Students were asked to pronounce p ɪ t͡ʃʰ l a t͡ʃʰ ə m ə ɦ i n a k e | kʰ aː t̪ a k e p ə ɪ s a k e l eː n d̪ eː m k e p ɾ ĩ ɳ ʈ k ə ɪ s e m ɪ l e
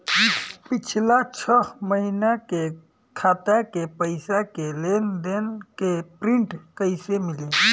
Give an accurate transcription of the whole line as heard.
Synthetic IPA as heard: p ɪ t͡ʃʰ l a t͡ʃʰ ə m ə ɦ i n a k e | kʰ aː t̪ a k e p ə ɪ s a k e l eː n d̪ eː n k e p ɾ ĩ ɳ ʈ k ə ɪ s e m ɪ l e